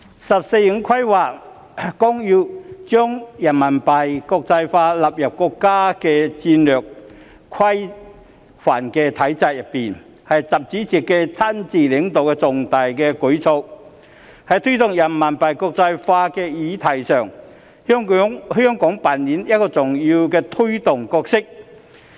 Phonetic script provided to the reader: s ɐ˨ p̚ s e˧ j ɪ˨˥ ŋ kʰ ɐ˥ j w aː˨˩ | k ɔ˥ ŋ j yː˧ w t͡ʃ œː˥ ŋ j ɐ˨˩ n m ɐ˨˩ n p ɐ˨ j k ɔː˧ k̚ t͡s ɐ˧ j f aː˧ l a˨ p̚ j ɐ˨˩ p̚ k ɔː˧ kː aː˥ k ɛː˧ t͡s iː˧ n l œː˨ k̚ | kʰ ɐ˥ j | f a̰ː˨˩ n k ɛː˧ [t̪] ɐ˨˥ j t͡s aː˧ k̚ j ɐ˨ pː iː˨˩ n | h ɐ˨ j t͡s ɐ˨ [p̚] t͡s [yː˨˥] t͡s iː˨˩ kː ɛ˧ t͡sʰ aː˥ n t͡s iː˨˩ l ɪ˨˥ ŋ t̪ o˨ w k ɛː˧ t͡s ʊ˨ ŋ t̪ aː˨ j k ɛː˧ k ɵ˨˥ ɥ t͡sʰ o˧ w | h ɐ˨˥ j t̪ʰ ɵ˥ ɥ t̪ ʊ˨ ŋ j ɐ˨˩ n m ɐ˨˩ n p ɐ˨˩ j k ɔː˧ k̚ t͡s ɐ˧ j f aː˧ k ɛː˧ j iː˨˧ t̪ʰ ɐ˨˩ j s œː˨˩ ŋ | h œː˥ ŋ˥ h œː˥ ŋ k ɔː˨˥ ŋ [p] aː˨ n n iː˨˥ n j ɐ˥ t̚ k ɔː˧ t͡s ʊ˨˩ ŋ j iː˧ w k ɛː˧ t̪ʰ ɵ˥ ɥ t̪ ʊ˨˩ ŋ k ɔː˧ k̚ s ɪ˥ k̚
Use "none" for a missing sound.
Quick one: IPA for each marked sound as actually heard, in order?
t̪ʰ, p̚, iː˨˥, p

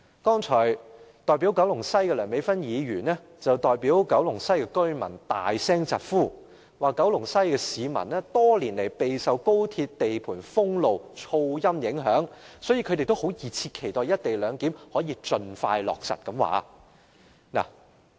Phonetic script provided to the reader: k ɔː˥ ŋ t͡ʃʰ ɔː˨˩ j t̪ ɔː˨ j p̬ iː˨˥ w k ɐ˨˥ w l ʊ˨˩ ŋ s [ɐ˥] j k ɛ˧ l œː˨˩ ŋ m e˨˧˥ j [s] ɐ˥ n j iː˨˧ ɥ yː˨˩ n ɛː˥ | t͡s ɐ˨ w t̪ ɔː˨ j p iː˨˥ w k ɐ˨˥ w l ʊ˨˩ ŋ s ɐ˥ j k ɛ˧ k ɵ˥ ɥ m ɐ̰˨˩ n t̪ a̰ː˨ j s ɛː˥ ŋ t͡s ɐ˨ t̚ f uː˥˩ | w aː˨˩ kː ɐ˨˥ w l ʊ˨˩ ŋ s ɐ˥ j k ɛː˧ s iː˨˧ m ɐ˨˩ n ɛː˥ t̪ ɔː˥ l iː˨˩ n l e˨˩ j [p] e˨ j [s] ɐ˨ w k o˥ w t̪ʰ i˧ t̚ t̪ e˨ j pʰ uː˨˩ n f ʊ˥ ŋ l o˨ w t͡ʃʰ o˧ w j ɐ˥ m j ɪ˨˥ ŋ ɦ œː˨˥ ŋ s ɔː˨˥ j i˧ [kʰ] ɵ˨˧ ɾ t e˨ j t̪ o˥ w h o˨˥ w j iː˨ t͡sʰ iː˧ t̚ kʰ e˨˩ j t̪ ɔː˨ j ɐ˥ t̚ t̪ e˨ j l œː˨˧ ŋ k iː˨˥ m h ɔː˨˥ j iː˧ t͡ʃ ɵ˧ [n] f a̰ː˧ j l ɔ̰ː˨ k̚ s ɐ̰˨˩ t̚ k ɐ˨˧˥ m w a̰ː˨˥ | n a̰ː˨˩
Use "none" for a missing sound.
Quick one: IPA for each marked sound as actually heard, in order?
ɐ˥, f, p, s, kʰ, n

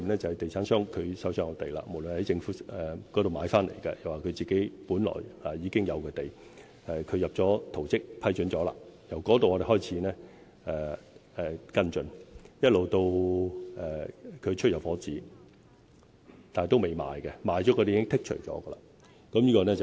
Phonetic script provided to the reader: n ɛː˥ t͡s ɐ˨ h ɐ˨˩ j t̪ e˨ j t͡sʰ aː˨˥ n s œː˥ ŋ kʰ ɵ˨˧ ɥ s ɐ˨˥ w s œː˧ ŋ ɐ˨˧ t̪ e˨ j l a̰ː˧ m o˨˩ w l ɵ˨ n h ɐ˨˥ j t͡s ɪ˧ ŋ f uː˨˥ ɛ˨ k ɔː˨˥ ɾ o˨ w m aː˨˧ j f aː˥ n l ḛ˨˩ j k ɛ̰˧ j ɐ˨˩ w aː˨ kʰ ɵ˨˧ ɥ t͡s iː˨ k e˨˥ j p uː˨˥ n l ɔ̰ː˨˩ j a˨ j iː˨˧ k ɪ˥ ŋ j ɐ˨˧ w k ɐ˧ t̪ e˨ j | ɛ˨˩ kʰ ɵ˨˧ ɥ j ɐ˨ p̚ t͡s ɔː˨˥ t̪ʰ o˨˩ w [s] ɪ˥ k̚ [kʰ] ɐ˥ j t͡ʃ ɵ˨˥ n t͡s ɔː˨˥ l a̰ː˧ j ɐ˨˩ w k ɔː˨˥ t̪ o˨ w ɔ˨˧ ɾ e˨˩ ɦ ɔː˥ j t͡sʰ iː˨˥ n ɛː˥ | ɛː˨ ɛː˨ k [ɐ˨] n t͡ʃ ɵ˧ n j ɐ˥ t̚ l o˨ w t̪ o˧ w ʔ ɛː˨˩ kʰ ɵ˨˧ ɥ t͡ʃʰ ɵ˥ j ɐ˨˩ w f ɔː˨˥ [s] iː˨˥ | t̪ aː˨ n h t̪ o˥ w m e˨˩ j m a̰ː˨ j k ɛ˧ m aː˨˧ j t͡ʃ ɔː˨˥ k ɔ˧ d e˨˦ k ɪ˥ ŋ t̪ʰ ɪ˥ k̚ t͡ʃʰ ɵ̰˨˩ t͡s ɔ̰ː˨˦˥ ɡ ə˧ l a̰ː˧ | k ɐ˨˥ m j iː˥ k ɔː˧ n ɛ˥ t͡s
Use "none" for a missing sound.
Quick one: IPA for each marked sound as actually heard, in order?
t͡s, pʰ, ɐ˥, t͡s

